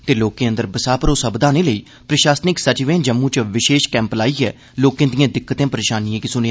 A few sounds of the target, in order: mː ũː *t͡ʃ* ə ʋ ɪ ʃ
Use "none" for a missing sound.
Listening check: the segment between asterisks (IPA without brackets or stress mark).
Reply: t͡ʃ